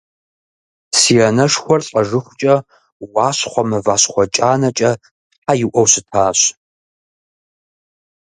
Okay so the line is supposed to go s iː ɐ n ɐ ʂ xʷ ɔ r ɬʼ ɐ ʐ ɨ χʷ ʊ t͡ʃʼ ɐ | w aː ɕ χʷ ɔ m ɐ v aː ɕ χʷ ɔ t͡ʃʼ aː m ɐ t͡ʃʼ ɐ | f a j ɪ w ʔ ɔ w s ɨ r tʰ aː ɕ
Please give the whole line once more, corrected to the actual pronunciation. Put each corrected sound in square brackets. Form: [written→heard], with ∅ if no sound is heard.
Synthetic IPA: s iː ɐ n ɐ ʂ xʷ ɔ r ɬʼ ɐ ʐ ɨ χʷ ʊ t͡ʃʼ ɐ | w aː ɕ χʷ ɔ m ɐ v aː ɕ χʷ ɔ t͡ʃʼ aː [m→n] ɐ t͡ʃʼ ɐ | [f→ħ] a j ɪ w ʔ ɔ w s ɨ [r→∅] tʰ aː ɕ